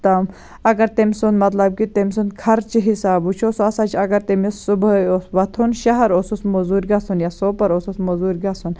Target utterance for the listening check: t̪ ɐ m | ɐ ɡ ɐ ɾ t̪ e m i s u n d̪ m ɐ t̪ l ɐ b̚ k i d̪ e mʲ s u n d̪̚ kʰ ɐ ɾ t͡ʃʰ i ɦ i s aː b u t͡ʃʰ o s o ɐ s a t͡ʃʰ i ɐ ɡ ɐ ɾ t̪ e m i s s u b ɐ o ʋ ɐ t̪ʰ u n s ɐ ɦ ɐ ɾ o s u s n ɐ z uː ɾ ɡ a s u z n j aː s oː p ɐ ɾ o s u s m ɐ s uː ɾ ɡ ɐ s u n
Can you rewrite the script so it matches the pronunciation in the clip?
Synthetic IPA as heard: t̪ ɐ m | ɐ ɡ ɐ ɾ t̪ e m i s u n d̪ m ɐ t̪ l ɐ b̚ k i t̪ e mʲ s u n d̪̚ kʰ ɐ ɾ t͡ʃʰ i ɦ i s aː b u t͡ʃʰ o s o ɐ s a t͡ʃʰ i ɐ ɡ ɐ ɾ t̪ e m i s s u b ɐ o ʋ ɐ t̪ʰ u n ʃ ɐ ɦ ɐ ɾ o s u s m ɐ z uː ɾ ɡ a s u n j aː s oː p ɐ ɾ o s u s m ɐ z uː ɾ ɡ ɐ s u n